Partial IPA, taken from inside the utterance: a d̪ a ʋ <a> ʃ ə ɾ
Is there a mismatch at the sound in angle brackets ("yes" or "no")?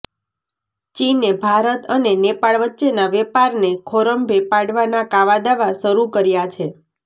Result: no